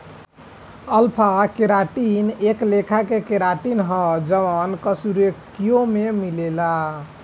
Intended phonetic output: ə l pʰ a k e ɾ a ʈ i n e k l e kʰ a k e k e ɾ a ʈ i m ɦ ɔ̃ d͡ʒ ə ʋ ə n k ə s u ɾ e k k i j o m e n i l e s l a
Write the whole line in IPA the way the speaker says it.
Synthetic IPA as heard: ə l pʰ a k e ɾ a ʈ i n e k l e kʰ a k e k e ɾ a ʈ i n ɦ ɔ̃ d͡ʒ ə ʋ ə n k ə s u ɾ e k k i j o m e m i l e l a